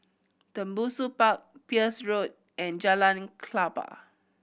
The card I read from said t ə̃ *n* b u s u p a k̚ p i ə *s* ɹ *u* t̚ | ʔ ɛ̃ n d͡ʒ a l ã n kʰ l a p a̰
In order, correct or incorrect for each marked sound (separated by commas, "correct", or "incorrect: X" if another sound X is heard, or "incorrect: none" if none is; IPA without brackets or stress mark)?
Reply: incorrect: m, correct, incorrect: o